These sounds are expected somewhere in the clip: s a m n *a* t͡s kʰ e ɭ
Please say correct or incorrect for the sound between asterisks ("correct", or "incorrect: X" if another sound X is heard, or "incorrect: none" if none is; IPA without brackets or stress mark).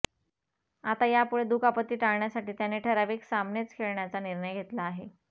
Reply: incorrect: e